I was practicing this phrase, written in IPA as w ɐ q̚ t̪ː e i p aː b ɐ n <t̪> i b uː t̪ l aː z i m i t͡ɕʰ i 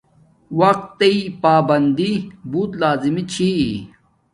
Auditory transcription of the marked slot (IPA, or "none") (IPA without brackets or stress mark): d̪